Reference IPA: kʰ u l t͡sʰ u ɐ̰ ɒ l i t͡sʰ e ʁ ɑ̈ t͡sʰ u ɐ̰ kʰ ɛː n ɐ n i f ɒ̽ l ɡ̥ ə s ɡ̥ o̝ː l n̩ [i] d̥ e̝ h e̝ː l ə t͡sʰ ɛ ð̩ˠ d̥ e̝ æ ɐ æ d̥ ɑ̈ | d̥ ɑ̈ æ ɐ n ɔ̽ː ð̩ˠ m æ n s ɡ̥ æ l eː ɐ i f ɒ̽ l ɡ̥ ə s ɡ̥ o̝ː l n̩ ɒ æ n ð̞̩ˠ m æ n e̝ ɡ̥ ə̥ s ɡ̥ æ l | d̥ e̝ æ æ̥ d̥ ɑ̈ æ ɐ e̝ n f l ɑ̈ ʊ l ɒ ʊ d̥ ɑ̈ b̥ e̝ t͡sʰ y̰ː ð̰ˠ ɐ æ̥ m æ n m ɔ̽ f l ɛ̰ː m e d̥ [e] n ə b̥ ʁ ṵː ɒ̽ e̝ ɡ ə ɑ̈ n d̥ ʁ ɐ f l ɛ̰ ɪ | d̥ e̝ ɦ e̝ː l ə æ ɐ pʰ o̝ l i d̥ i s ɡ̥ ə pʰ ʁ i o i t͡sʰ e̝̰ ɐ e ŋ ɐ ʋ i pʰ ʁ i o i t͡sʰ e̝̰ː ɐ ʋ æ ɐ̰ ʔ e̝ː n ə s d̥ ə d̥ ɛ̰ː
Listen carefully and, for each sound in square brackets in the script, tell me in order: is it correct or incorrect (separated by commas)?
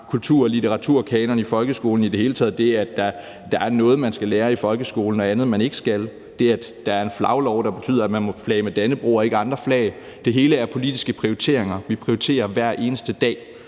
correct, incorrect